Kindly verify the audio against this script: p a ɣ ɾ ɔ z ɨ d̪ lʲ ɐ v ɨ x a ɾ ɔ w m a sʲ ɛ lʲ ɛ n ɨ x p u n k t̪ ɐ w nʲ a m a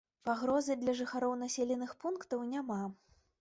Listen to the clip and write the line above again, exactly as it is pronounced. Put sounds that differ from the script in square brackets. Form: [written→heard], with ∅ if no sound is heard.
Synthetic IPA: p a ɣ ɾ ɔ z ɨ d̪ lʲ ɐ [v→ʐ] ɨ x a ɾ ɔ w [m→n] a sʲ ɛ lʲ ɛ n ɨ x p u n k t̪ ɐ w nʲ a m a